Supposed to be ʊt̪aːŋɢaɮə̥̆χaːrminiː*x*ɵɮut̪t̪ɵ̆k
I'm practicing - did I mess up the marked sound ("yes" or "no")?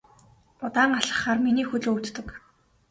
no